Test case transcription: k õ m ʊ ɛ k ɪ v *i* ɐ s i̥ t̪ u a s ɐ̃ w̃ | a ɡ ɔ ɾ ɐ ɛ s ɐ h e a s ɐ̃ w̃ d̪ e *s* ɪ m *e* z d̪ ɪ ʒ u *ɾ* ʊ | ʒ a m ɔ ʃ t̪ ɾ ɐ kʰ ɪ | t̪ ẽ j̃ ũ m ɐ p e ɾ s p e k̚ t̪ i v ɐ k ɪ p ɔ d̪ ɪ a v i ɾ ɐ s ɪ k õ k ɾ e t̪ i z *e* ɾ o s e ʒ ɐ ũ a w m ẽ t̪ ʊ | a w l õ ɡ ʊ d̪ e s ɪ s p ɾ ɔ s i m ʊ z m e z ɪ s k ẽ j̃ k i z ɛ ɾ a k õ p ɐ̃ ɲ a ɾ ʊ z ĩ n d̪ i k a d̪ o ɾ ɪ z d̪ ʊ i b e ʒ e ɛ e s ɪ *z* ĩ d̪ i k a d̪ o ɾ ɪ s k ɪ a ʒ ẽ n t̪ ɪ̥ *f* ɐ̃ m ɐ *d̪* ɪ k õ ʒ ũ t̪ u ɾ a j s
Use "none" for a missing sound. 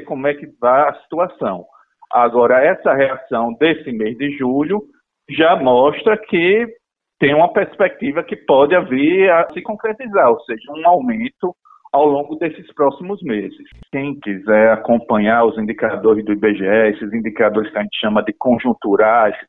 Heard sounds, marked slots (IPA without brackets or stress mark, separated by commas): a, s, e, ʎ, a, z, ʃ, d̪